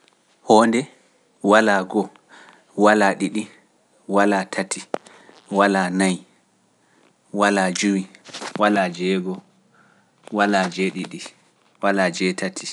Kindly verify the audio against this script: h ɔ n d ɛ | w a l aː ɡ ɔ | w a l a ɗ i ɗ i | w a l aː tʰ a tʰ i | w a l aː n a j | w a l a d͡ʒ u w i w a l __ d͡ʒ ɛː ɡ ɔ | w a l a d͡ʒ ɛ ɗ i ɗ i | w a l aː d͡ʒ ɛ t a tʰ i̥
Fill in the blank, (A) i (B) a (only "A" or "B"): B